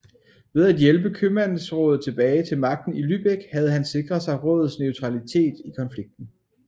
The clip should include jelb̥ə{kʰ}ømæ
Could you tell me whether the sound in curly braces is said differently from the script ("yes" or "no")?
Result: no